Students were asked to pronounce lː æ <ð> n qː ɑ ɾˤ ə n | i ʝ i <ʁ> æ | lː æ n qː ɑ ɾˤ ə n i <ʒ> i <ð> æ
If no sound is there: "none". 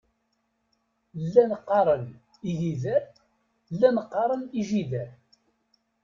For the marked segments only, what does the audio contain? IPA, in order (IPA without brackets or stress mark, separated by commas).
none, ð, ʒ, ð